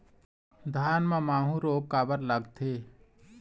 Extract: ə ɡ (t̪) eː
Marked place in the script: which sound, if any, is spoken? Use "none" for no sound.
t̪ʰ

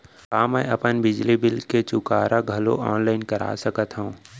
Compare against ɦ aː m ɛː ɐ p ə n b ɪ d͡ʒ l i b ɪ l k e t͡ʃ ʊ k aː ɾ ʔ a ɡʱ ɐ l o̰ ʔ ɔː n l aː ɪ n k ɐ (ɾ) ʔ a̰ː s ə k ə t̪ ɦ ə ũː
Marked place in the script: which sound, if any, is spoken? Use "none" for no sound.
ɾ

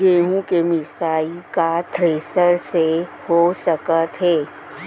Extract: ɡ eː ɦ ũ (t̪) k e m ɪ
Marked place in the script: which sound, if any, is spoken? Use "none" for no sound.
none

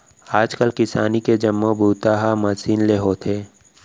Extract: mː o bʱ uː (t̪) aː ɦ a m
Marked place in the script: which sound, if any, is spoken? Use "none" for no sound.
t̪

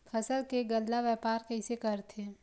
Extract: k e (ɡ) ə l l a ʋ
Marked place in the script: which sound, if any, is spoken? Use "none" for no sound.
ɡ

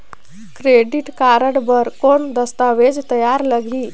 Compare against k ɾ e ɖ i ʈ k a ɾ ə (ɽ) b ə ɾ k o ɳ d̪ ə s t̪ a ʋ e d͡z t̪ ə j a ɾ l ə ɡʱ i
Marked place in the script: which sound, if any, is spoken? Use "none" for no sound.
ɽ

